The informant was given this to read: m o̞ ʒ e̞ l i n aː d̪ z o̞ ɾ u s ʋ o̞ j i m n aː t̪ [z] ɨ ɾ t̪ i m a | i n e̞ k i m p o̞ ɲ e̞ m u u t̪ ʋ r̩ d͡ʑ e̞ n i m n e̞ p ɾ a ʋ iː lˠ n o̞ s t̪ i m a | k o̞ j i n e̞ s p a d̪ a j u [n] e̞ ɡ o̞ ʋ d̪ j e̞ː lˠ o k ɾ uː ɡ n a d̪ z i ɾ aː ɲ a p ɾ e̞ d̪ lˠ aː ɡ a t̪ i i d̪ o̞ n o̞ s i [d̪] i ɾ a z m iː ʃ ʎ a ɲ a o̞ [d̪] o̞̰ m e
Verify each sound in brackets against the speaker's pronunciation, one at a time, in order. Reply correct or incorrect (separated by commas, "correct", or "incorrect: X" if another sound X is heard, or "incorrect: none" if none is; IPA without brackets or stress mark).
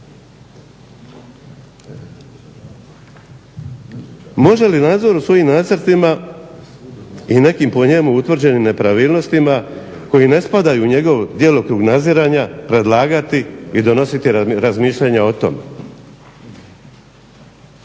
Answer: incorrect: s, incorrect: ɲ, incorrect: t̪, incorrect: t̪